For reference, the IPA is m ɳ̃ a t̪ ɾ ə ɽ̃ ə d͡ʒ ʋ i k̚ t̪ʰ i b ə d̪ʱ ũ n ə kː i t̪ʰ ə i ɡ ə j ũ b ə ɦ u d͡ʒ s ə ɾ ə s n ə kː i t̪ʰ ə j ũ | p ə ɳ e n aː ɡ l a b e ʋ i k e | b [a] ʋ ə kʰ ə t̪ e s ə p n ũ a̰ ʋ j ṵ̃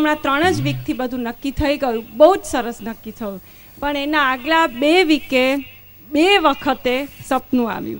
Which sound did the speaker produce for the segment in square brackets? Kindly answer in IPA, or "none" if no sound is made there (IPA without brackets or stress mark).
e